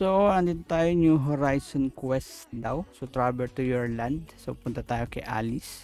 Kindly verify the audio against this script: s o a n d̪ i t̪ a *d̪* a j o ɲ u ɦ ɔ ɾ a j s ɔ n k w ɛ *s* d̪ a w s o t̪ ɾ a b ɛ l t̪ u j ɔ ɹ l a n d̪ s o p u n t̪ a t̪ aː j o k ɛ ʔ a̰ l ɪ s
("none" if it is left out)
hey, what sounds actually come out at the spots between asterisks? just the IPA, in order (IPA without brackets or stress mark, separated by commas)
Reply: t̪, s